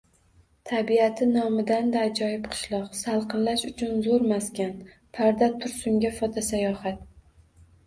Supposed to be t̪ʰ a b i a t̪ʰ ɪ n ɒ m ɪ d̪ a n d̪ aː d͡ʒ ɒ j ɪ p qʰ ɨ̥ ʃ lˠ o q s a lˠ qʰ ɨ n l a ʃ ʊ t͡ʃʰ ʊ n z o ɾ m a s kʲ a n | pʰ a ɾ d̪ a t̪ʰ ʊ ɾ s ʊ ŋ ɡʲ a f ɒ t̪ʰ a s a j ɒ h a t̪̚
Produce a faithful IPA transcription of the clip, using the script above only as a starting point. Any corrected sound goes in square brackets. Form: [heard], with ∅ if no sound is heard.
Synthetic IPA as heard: t̪ʰ a b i a t̪ʰ ɪ n ɒ m ɪ d̪ a n d̪ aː d͡ʒ ɒ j ɪ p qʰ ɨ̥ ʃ lˠ [ɒ] q s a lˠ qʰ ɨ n l a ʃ ʊ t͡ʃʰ ʊ n z o ɾ m a s kʲ a n | pʰ a ɾ d̪ a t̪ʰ ʊ ɾ s ʊ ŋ ɡʲ a f ɒ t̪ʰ a s a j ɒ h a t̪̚